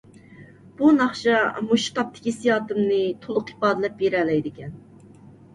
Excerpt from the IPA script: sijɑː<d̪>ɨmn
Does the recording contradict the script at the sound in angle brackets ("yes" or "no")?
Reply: yes